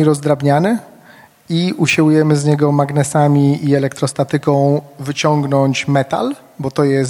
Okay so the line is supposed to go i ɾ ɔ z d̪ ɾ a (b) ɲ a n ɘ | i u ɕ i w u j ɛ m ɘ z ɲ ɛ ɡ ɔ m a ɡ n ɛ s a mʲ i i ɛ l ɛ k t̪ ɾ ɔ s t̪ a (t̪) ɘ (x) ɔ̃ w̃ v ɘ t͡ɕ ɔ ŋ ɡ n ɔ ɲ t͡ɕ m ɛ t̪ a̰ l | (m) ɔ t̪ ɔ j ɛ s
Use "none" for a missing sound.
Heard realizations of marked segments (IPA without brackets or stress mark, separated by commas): b, t̪, k, b